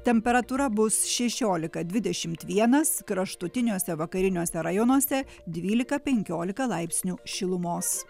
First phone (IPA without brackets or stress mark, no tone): t̪ʲ